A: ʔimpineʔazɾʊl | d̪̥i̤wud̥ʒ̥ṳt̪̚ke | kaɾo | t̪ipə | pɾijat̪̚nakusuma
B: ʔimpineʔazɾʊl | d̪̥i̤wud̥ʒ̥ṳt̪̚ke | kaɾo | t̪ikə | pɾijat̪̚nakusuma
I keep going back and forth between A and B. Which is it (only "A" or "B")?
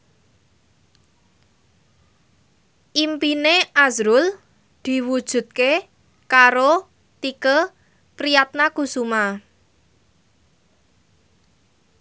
B